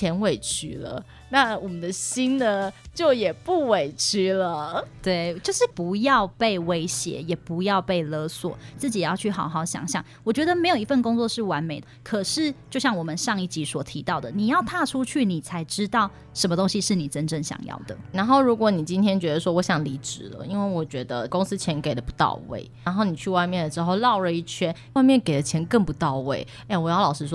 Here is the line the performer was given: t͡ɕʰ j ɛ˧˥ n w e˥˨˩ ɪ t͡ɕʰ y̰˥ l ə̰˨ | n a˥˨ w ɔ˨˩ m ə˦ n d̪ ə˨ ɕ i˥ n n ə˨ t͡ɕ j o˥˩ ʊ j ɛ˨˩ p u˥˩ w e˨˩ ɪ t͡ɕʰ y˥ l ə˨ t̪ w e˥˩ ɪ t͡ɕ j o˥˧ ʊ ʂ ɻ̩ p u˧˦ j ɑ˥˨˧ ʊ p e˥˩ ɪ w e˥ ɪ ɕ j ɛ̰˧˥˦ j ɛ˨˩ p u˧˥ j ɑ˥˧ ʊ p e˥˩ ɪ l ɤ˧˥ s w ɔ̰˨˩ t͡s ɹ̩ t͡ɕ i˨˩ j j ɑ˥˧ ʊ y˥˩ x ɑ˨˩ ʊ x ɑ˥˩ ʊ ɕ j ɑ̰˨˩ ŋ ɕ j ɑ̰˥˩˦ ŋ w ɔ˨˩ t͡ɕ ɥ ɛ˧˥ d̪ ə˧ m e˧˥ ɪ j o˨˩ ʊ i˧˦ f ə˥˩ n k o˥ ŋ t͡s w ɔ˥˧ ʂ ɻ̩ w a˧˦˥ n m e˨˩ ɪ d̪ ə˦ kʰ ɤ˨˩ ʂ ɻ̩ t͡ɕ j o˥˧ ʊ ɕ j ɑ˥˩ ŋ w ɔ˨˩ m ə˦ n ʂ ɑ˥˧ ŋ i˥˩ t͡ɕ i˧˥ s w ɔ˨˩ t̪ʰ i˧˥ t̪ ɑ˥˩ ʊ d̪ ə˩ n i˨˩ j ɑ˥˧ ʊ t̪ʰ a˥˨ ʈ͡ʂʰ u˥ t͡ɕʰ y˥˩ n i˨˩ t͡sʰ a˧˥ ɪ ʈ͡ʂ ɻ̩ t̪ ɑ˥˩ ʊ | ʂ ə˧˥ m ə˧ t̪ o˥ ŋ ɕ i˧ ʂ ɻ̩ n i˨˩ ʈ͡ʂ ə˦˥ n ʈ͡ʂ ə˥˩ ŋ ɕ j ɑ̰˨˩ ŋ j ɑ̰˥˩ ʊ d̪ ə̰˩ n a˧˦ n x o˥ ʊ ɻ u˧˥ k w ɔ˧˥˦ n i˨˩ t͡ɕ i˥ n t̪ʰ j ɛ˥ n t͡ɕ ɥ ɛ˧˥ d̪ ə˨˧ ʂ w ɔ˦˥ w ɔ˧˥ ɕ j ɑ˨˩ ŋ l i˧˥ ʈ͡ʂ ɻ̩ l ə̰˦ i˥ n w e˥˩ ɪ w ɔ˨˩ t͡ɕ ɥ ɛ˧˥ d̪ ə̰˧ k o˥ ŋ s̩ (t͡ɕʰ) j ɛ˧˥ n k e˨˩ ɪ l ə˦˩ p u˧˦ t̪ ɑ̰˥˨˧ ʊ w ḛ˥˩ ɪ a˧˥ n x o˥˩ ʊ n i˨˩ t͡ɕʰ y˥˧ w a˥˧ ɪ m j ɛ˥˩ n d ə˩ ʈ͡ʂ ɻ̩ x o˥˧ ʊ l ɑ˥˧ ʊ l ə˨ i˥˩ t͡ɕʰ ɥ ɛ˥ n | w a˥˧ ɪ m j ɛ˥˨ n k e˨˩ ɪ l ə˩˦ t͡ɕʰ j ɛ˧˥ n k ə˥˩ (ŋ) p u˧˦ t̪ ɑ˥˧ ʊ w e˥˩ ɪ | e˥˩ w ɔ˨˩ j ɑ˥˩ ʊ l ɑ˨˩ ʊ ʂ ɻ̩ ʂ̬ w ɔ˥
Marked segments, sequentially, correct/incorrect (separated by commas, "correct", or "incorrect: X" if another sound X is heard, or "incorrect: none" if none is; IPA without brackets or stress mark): correct, correct